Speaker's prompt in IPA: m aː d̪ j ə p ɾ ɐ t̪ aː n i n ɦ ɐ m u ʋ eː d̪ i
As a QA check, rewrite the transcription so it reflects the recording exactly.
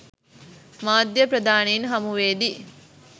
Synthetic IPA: m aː d̪ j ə p ɾ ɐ d̪ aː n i n ɦ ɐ m u ʋ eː d̪ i